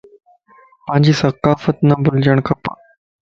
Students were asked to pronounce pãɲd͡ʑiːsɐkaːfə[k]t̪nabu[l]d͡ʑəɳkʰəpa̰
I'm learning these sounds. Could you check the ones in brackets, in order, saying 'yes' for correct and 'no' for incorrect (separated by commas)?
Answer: no, yes